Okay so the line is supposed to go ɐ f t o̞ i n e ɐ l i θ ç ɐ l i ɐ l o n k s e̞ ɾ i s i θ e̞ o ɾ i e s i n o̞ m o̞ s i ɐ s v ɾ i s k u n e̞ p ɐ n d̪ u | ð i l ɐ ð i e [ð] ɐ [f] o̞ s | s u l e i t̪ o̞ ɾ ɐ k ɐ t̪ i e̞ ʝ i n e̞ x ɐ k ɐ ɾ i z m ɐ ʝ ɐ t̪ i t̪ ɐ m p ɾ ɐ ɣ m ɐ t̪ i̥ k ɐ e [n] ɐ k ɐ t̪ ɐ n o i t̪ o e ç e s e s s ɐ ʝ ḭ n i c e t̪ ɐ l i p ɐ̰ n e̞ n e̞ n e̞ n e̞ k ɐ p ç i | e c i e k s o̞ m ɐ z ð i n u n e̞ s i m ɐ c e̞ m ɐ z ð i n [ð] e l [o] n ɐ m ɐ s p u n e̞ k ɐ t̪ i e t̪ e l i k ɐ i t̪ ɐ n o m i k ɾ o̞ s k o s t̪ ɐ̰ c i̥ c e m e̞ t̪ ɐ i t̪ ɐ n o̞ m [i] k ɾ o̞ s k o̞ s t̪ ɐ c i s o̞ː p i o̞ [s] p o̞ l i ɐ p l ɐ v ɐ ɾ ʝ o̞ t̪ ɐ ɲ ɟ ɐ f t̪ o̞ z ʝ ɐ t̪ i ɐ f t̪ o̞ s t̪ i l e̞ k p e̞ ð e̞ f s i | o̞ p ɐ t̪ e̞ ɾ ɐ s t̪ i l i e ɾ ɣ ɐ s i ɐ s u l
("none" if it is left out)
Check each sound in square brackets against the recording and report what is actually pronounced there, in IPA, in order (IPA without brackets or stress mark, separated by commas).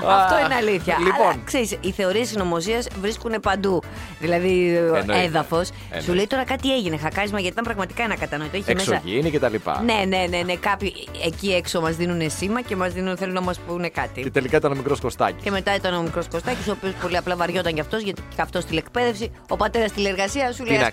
ð, f, n, θ, u, i, s